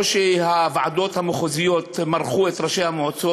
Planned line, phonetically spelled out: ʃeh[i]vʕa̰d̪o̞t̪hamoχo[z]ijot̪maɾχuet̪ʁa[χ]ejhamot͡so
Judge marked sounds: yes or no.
no, yes, no

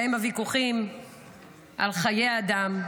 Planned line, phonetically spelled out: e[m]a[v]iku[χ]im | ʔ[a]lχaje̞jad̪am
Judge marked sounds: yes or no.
yes, yes, yes, yes

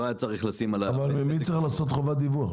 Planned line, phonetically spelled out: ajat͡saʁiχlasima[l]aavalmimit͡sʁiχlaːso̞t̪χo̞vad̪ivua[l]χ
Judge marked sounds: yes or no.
yes, no

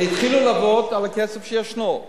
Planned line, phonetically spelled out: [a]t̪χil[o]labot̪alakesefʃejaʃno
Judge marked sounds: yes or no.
no, no

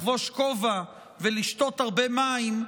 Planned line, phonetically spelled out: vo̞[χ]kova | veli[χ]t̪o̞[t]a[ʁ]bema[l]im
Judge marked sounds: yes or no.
no, no, yes, yes, no

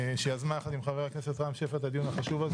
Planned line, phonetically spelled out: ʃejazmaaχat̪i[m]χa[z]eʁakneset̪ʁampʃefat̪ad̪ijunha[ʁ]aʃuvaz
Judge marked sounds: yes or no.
yes, no, no

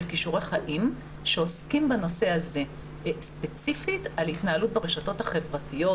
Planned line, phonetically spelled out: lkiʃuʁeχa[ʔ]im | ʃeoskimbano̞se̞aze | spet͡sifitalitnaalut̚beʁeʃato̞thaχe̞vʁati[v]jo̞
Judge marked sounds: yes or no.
yes, no

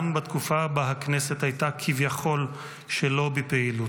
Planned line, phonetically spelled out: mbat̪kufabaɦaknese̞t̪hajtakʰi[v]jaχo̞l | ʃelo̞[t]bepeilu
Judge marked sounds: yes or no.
yes, no

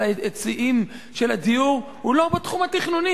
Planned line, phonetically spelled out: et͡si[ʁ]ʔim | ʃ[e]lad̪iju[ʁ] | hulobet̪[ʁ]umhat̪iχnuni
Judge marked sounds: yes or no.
no, yes, yes, no

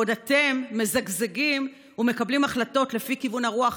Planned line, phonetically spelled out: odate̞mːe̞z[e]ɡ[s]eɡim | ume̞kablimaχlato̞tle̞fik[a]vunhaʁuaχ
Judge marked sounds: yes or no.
no, no, no

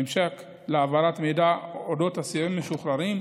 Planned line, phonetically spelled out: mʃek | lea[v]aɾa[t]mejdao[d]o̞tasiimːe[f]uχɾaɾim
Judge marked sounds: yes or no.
yes, yes, yes, no

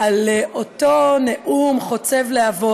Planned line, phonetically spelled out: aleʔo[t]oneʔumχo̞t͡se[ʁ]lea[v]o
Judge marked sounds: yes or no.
yes, no, yes

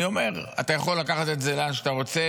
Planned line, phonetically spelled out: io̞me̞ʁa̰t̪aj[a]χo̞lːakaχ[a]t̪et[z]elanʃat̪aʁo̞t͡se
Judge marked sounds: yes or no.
yes, yes, yes

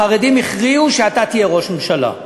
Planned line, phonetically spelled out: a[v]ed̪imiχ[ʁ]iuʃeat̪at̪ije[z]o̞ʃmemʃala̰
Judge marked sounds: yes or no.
no, yes, no

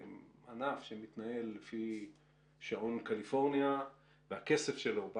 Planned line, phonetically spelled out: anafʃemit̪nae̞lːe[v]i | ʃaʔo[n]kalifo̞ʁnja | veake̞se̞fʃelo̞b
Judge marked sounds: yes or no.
no, yes

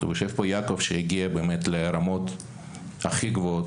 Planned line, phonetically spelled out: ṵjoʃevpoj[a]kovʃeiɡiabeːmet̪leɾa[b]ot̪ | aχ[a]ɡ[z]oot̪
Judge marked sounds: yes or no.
yes, no, no, no

